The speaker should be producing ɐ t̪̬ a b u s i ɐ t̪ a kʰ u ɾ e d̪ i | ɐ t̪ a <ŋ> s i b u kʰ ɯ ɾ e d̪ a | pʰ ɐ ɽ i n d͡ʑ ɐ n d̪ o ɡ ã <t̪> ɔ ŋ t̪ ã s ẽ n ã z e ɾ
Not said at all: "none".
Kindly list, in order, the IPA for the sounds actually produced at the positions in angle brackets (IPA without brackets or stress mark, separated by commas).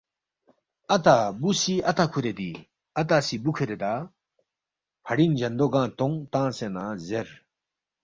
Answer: none, t̪